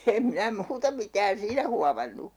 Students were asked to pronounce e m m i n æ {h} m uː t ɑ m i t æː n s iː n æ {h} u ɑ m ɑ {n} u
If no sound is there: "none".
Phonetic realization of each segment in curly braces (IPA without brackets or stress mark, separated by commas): none, h, nː